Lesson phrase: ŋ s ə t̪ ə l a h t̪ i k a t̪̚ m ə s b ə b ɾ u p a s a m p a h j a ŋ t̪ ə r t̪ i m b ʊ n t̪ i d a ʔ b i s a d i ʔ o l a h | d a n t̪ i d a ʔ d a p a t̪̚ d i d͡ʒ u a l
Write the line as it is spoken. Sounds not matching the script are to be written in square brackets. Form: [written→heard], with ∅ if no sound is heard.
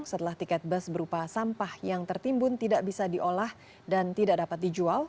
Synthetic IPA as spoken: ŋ s ə t̪ ə l a h t̪ i k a t̪̚ [m→b] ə s b ə [b→∅] ɾ u p a s a m p a h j a ŋ t̪ ə r t̪ i m b ʊ n t̪ i d a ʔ b i s a d i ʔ o l a h | d a n t̪ i d a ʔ d a p a t̪̚ d i d͡ʒ u a l